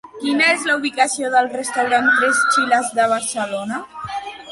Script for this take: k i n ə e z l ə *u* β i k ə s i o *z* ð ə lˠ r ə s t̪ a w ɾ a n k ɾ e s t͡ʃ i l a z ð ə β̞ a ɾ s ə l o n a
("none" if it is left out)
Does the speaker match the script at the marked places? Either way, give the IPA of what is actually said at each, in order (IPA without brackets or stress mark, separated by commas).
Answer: u, none